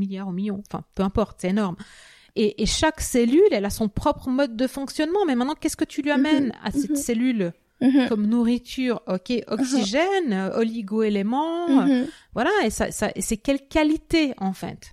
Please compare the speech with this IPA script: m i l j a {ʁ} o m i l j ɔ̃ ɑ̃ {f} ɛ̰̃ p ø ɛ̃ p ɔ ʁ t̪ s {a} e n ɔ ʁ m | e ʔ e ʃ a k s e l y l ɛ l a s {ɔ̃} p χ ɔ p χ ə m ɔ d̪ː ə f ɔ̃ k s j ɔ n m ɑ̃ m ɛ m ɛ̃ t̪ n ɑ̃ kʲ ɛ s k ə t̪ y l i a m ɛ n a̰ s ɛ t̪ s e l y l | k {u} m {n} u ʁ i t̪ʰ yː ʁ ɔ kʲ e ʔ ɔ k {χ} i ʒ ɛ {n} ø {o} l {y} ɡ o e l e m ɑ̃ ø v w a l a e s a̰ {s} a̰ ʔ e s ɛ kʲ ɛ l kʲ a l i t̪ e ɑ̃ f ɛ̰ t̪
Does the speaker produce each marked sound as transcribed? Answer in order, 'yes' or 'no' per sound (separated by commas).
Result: yes, yes, no, yes, no, yes, no, yes, no, no, yes